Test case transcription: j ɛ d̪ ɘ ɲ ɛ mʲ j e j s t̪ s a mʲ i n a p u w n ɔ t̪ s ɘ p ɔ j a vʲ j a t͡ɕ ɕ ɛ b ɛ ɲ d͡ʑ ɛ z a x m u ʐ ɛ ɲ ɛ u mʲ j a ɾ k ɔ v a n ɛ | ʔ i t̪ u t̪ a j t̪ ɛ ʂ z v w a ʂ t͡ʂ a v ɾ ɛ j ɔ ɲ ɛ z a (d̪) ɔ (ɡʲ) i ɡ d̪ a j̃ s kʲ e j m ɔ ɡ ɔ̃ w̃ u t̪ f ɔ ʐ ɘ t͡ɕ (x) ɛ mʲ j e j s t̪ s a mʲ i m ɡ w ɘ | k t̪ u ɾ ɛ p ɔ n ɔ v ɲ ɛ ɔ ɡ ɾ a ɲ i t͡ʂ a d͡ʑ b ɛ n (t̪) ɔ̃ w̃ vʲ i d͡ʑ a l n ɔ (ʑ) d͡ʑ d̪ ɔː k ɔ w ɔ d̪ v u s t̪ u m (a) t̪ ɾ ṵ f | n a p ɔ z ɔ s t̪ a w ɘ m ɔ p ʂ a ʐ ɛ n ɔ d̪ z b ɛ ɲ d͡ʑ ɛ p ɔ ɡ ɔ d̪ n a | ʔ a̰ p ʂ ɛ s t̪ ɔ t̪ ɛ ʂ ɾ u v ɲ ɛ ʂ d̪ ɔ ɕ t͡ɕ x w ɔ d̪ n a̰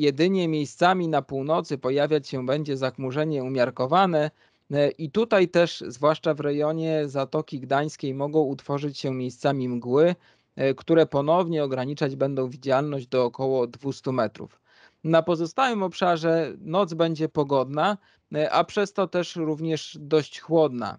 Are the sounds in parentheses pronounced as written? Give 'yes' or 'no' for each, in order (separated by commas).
no, no, no, no, yes, no